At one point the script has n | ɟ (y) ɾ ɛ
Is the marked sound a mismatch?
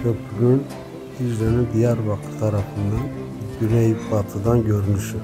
no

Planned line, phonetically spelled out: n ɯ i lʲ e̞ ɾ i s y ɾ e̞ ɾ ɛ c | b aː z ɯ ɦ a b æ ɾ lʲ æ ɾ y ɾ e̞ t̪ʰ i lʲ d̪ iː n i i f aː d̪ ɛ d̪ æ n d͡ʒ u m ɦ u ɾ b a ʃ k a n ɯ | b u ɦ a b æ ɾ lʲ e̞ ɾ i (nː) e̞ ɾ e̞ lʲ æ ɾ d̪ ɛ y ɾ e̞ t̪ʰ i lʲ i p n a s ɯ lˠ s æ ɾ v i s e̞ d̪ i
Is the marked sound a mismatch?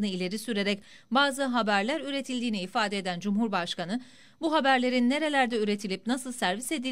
no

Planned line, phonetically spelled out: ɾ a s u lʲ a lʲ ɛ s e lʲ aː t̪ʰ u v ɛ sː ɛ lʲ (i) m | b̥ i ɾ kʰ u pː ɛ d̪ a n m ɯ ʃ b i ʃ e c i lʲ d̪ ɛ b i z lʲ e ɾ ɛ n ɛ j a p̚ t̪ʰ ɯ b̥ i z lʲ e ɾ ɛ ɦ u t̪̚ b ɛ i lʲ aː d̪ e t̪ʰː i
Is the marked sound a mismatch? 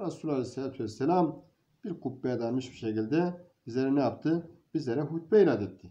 yes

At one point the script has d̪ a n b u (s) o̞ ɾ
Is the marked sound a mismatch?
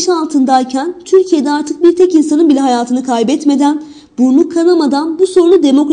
no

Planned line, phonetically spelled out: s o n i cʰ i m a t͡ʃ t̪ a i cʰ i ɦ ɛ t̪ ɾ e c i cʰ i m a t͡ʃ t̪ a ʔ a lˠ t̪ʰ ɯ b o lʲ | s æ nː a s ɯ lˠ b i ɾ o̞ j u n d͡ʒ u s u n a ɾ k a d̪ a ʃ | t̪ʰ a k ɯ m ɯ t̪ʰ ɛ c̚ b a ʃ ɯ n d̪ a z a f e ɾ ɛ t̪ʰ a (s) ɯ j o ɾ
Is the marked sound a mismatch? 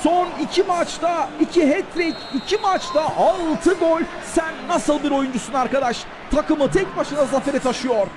yes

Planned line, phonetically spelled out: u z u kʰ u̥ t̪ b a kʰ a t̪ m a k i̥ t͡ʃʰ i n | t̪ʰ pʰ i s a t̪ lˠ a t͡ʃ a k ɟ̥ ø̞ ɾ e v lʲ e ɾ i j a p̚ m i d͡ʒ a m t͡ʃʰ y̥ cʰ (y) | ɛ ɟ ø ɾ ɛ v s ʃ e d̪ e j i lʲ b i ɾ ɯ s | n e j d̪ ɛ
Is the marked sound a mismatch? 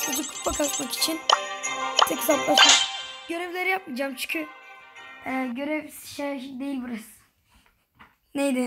no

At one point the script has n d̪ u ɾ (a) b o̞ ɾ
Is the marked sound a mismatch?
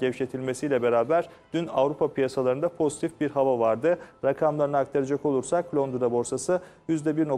no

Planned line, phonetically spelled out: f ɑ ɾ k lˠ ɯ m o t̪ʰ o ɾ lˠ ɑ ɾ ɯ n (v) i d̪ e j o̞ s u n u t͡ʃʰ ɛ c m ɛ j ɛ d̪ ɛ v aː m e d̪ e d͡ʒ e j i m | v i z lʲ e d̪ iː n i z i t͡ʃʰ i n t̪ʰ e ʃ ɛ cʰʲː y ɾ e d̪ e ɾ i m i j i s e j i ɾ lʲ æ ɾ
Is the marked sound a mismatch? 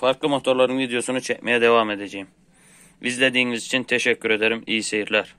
no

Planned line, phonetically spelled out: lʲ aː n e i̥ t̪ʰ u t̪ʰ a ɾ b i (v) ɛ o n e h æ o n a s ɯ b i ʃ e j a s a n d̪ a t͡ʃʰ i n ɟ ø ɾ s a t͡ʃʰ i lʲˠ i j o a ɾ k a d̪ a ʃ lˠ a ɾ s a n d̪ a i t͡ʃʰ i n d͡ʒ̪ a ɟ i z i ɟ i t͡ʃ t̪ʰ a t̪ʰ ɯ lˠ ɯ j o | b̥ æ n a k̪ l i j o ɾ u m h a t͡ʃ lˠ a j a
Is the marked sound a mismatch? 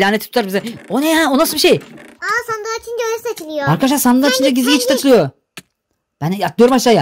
yes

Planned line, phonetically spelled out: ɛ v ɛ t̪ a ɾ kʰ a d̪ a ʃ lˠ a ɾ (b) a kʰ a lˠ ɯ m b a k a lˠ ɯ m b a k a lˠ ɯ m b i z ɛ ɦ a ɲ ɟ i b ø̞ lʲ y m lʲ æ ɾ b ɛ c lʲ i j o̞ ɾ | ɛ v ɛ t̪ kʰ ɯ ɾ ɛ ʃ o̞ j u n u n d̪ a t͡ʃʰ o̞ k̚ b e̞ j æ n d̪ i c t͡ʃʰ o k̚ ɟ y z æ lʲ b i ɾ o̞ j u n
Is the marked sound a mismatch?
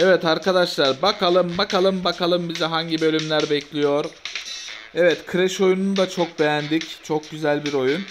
no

